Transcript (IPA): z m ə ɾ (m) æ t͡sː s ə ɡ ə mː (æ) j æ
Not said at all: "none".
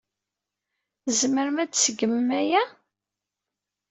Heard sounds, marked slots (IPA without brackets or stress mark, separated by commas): m, æ